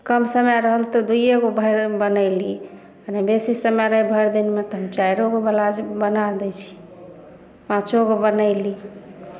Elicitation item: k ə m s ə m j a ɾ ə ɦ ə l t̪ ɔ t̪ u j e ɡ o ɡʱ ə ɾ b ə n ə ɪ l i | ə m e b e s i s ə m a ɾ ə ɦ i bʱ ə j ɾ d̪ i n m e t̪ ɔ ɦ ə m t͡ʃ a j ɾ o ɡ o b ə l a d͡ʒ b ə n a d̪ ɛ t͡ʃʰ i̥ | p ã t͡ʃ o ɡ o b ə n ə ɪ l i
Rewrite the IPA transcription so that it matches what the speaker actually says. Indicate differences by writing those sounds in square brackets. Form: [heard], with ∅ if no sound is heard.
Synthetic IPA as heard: k ə m s ə m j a ɾ ə ɦ ə l t̪ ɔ [d̪] u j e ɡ o [bʱ] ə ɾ b ə n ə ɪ l i | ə [n] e b e s i s ə m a ɾ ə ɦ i bʱ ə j ɾ d̪ i n m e t̪ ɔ ɦ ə m t͡ʃ a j ɾ o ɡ o b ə l a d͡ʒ b ə n a d̪ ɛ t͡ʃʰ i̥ | p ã t͡ʃ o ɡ o b ə n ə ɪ l i

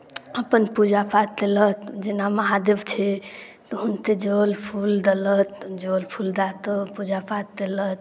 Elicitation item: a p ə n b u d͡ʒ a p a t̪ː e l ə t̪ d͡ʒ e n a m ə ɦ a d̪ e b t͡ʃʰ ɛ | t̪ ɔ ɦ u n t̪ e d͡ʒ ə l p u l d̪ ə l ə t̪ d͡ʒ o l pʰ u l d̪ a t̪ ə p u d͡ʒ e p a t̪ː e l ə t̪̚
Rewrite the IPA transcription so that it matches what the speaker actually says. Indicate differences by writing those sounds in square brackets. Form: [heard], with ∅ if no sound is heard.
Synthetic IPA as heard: [ə] p ə n [p] u d͡ʒ a p a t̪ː e l ə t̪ d͡ʒ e n a m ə ɦ a d̪ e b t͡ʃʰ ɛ | t̪ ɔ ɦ u n t̪ e d͡ʒ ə l [pʰ] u l d̪ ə l ə t̪ d͡ʒ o l pʰ u l d̪ a t̪ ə p u d͡ʒ [a] p a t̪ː e l ə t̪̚

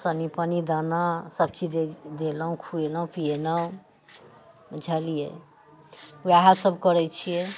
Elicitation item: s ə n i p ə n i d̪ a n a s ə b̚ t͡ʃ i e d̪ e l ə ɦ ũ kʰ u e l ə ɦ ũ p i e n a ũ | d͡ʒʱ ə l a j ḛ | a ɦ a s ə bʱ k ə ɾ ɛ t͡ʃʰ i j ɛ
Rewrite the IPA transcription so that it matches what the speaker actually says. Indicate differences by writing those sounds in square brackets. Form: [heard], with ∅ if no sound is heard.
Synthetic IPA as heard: s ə n i p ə n i d̪ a n a s ə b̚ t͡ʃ i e d̪ e l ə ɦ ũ kʰ u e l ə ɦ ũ p i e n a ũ | d͡ʒʱ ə l [i] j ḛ | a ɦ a s ə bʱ k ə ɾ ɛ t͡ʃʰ i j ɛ

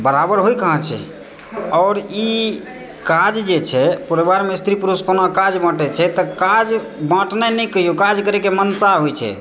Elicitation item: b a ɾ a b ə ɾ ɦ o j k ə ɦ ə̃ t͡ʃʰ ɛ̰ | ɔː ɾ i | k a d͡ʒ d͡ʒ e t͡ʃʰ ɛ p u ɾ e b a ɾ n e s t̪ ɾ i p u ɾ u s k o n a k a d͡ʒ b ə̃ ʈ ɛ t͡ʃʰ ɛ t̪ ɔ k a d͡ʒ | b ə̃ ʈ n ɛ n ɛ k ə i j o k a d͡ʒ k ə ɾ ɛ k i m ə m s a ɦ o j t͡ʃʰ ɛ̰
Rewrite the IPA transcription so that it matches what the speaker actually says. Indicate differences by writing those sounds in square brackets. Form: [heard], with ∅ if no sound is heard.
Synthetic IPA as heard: b [ə] ɾ a b ə ɾ ɦ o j k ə ɦ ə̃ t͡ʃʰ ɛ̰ | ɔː ɾ i | k a d͡ʒ d͡ʒ e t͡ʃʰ ɛ p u ɾ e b a ɾ [m] e s t̪ ɾ i p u ɾ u s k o n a k a d͡ʒ b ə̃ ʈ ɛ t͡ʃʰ ɛ t̪ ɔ k a d͡ʒ | b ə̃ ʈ n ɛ n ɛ k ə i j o k a d͡ʒ k ə ɾ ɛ k [e] m ə [n] s a ɦ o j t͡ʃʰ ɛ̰

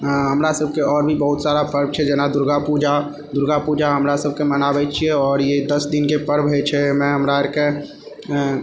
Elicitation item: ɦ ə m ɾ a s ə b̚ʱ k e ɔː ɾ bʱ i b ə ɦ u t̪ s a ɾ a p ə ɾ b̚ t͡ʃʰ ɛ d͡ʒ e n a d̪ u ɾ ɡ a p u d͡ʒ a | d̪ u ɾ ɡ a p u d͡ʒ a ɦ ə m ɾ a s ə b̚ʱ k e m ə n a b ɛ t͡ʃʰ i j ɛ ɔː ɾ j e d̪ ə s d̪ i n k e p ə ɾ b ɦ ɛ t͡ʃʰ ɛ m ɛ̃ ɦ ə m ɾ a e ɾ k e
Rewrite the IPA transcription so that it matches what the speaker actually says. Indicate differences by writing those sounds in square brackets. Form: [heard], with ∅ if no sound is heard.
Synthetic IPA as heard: ɦ ə m ɾ a s ə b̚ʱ k e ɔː ɾ bʱ i b ə ɦ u t̪ s a ɾ a p ə ɾ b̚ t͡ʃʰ ɛ d͡ʒ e n a d̪ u ɾ ɡ a p u d͡ʒ a | d̪ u ɾ ɡ a p u d͡ʒ a ɦ ə m ɾ a s ə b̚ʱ k e m ə n a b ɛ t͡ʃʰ i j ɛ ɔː ɾ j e d̪ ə s d̪ i n k e p ə ɾ b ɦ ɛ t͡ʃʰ ɛ m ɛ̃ ɦ ə m ɾ a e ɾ k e

